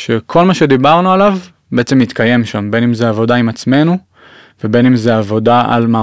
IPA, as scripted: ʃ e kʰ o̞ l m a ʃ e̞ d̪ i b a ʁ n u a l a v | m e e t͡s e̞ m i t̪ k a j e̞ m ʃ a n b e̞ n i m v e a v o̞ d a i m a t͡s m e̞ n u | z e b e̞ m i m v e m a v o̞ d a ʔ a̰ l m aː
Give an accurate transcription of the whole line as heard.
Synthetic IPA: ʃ e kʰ o̞ l m a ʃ e̞ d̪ i b a ʁ n u a l a v | b e e t͡s e̞ m i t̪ k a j e̞ m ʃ a m b e̞ n i m z e a v o̞ d a i m a t͡s m e̞ n u | v e b e̞ n i m z e a v o̞ d a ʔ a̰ l m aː